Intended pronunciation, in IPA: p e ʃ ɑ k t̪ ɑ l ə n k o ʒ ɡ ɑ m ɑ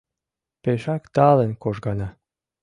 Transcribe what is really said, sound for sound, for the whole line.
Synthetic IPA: p e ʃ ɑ k t̪ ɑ l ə n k o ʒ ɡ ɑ n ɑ